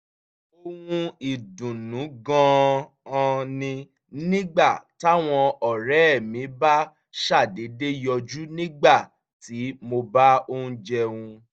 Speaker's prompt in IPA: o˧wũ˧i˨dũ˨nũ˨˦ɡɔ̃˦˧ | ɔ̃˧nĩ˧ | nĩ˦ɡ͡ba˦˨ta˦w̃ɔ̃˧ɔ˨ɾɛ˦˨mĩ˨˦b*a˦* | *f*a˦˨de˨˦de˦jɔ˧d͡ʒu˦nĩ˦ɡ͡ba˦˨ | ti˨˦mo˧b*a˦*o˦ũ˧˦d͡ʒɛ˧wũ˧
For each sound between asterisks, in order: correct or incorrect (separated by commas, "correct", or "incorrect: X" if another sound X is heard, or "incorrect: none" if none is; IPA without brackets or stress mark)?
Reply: correct, incorrect: ʃ, correct